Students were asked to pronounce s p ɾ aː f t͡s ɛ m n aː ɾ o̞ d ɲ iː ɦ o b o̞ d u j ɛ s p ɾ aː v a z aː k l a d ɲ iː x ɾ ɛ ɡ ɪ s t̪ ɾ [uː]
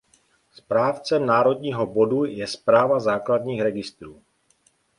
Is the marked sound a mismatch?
no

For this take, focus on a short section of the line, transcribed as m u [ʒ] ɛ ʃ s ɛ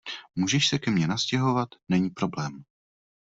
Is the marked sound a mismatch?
no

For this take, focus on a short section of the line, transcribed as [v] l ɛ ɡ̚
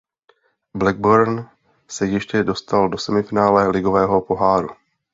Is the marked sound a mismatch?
yes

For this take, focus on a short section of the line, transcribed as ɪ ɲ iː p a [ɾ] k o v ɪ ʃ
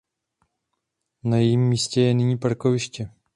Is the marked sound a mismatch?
no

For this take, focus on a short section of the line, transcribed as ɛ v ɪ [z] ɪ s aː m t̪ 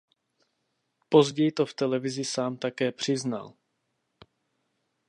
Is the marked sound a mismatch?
no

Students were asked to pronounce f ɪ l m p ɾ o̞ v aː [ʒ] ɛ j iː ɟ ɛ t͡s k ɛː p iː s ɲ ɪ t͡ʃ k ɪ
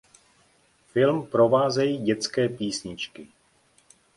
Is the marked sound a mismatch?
yes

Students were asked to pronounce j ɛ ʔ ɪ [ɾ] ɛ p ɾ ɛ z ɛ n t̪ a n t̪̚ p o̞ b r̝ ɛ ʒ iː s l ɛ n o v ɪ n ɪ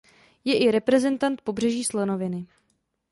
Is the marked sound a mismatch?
no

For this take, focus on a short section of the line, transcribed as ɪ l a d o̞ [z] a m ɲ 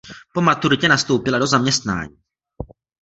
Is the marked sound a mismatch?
no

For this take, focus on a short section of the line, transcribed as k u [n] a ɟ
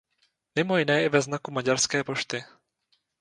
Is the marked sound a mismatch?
yes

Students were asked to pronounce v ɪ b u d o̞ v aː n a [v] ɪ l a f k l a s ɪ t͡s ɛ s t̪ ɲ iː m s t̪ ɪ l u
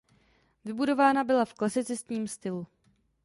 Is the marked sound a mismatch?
yes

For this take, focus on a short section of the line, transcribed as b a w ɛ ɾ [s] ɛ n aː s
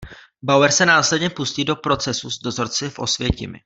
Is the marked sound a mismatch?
no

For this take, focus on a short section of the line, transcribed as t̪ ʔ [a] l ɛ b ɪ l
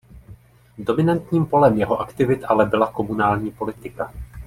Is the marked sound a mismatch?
no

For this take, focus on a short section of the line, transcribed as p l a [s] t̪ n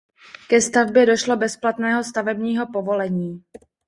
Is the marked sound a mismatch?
yes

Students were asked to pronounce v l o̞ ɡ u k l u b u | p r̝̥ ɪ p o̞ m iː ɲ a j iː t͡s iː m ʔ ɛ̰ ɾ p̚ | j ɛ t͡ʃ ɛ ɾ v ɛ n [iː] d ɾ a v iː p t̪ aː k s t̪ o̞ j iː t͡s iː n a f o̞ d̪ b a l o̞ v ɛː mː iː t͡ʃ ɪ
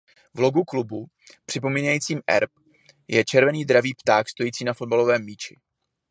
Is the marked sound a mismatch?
no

